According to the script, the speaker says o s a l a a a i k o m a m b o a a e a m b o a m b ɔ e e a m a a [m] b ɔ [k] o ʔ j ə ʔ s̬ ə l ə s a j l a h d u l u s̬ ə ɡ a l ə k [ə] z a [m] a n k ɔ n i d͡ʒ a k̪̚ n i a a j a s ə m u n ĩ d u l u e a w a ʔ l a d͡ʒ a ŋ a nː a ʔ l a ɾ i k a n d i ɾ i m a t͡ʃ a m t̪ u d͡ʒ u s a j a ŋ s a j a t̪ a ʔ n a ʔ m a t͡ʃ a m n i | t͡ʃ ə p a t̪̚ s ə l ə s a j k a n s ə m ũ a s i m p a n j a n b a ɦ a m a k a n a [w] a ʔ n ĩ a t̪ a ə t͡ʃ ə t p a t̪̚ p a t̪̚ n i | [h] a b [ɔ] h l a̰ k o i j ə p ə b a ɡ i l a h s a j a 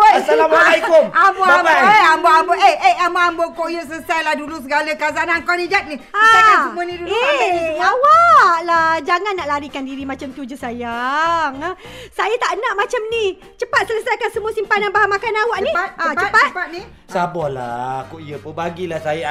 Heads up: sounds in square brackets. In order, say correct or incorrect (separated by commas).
correct, correct, incorrect, incorrect, correct, incorrect, correct